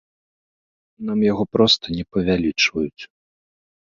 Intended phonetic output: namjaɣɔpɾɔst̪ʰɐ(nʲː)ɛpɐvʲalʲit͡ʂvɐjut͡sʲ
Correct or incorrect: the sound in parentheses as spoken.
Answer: incorrect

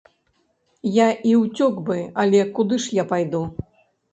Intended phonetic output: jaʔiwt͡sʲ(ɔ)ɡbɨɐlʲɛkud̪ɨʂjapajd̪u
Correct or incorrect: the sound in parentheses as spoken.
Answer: correct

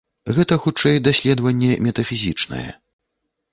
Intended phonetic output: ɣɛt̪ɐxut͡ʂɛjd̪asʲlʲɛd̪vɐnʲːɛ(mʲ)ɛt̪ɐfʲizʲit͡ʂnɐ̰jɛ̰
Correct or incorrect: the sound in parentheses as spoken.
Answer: correct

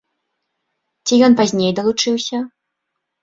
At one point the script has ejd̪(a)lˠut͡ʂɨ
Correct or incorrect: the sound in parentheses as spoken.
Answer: incorrect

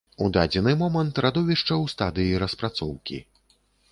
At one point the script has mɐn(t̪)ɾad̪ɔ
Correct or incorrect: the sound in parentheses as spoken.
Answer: correct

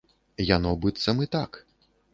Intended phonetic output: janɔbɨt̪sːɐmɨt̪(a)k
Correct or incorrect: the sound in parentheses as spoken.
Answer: correct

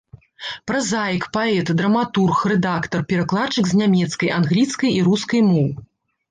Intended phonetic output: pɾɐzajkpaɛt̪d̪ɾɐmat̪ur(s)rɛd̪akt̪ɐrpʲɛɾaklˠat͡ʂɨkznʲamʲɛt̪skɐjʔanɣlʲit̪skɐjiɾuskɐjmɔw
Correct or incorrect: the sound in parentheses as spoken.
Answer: incorrect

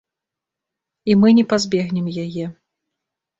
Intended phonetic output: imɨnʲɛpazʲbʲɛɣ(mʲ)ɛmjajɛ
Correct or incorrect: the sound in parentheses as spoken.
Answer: incorrect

